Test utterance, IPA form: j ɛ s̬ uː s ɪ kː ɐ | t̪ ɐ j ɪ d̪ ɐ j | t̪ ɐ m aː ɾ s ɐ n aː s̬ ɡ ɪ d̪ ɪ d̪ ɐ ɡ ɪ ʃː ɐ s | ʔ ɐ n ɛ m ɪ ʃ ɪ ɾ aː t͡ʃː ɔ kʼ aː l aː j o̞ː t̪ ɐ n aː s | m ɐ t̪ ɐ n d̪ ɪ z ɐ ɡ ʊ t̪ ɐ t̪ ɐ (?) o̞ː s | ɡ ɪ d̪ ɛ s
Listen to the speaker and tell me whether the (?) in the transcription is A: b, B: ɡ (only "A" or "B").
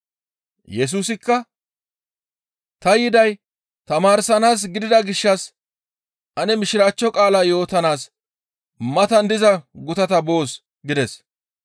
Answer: A